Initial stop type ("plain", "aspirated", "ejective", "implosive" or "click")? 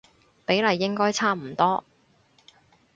plain